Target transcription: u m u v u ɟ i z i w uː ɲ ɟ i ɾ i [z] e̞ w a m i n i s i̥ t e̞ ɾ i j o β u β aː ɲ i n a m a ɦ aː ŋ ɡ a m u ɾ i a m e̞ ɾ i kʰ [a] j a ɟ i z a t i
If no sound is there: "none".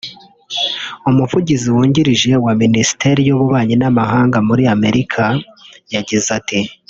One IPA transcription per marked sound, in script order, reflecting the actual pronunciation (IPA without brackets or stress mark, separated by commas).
ʒ, a